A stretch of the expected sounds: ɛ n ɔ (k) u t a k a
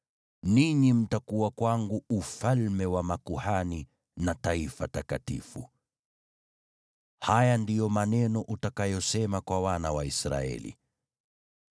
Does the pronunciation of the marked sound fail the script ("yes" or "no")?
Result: yes